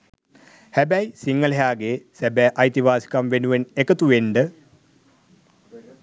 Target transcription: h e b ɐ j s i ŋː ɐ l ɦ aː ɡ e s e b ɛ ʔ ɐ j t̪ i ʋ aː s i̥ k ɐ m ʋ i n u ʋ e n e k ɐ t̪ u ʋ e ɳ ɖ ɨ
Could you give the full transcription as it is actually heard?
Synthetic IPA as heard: h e b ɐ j s i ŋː ɐ l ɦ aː ɡ e s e b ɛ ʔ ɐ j t̪ i ʋ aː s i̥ k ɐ m ʋ e n u ʋ e n e k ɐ t̪ u ʋ e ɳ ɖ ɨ